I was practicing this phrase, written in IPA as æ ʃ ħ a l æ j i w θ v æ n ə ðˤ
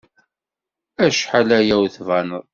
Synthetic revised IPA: æ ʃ ħ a l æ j æ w θ v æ n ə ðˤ